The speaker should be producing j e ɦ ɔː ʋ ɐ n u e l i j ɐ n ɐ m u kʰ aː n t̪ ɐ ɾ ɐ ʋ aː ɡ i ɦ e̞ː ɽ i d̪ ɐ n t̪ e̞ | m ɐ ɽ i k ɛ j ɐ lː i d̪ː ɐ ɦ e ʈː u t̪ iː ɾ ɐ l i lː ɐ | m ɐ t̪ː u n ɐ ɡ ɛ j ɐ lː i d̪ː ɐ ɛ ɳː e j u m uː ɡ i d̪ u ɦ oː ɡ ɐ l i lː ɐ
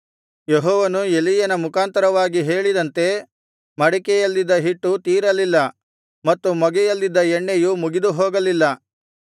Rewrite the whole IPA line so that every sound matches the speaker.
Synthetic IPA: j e ɦ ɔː ʋ ɐ n u e l i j ɐ n ɐ m u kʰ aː n t̪ ɐ ɾ ɐ ʋ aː ɡ i ɦ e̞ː ɭ i d̪ ɐ n t̪ e̞ | m ɐ ɽ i k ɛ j ɐ lː i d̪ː ɐ ɦ i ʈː u t̪ iː ɾ ɐ l i lː ɐ | m ɐ t̪ː u m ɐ ɡ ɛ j ɐ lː i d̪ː ɐ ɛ ɳː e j u m u ɡ i d̪ u ɦ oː ɡ ɐ l i lː ɐ